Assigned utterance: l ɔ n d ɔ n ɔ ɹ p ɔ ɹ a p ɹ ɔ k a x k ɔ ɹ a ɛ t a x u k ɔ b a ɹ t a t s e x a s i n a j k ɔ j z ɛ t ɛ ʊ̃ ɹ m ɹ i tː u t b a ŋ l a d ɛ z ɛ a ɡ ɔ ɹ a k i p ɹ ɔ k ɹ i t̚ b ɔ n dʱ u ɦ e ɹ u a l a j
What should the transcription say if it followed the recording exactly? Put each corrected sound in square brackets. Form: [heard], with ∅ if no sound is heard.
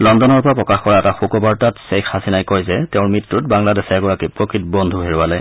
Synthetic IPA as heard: l ɔ n d ɔ n ɔ ɹ p ɔ ɹ a p ɹ ɔ k a x k ɔ ɹ a ɛ t a x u k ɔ b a ɹ t a t s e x a s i n a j k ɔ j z ɛ t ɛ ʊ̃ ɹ m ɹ i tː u t b a ŋ l a d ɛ [s] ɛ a ɡ ɔ ɹ a k i p ɹ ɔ k ɹ i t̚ b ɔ n dʱ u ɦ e ɹ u a l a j